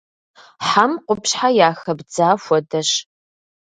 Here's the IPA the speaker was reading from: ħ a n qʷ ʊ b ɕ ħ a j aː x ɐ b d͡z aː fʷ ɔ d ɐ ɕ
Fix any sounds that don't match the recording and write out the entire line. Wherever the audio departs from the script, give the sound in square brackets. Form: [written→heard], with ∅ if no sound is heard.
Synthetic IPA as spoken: ħ a [n→m] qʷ ʊ [b→p] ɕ ħ a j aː x ɐ b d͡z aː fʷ ɔ d ɐ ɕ